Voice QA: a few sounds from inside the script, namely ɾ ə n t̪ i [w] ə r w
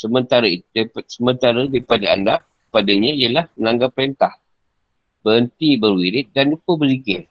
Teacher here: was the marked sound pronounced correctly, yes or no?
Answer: no